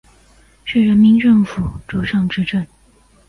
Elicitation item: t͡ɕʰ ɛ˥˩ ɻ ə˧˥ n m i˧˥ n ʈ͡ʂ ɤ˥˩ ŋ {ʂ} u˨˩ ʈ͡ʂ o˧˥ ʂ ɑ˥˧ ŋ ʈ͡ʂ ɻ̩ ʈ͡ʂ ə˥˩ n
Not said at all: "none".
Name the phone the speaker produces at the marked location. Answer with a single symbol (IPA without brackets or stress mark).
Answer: f